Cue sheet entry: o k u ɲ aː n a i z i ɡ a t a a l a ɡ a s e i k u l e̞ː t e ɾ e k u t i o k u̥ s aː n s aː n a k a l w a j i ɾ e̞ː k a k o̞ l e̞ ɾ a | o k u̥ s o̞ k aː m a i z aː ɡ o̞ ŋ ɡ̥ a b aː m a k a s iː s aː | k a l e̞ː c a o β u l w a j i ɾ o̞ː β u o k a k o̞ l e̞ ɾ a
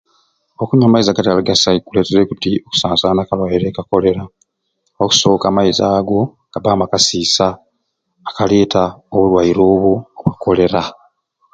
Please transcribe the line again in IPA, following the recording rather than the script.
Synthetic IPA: o k u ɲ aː m a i z a ɡ a t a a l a ɡ a s a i k u l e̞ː t e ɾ e k u t i o k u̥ s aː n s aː n a k a l w a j i ɾ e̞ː k a k o̞ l e̞ ɾ a | o k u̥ s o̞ k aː m a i z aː ɡ o̞ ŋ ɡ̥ a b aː m a k a s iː s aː | k a l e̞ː t a o β u l w a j i ɾ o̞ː β u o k a k o̞ l e̞ ɾ a